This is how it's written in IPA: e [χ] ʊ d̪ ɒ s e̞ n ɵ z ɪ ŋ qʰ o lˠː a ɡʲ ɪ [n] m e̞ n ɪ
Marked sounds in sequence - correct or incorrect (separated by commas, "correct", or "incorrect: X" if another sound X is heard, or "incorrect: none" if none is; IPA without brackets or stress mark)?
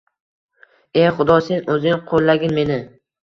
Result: correct, correct